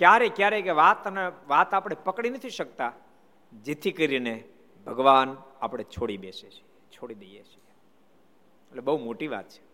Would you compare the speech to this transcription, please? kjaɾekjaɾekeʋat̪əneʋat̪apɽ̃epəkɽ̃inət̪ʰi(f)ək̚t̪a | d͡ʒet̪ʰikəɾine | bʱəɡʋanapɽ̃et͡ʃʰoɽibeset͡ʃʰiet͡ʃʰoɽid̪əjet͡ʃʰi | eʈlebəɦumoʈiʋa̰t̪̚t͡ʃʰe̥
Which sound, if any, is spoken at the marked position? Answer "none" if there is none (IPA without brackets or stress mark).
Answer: ʃ